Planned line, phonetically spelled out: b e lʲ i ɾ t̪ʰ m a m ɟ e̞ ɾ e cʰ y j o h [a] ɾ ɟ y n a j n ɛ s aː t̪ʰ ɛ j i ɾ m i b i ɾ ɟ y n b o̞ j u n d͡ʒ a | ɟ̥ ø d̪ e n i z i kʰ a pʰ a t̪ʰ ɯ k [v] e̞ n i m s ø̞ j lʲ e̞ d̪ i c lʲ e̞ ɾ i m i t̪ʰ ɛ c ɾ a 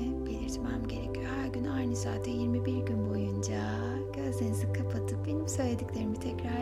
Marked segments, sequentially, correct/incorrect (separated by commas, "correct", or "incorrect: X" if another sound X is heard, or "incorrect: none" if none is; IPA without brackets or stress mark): incorrect: æ, incorrect: b